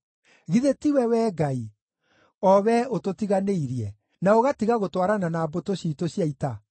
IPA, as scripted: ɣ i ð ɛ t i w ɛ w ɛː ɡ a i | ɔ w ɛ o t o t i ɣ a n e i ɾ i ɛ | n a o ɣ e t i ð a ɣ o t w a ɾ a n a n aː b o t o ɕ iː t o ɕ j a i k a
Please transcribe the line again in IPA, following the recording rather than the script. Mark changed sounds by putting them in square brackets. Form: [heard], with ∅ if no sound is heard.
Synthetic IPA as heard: ɣ i ð [e] t i w ɛ w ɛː ɡ a i | ɔ w ɛ o t o t i ɣ a n e i ɾ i ɛ | n a o ɣ [a] t i [ɣ] a ɣ o t w a ɾ a n a n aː b o t o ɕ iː t o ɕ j a i [t] a